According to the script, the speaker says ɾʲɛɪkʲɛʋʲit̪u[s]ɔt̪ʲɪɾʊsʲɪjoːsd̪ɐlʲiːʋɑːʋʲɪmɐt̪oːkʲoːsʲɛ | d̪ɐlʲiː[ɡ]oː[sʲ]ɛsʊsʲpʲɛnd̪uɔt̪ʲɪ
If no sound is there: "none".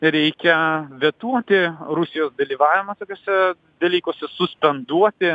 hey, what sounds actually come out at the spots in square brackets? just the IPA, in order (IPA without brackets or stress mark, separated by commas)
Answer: none, k, sʲ